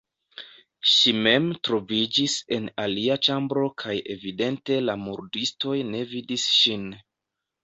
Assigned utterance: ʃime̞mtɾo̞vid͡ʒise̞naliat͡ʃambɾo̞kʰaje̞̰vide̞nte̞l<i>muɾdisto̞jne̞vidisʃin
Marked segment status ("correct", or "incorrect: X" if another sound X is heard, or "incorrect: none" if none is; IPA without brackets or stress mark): incorrect: a